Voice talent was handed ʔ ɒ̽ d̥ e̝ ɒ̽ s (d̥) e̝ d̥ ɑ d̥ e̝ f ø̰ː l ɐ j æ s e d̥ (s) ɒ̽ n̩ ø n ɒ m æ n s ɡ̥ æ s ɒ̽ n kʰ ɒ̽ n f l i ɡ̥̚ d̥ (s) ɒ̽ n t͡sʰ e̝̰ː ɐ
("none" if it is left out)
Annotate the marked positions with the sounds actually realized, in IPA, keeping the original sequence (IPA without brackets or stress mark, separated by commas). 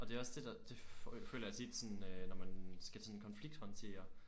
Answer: d̥, s, h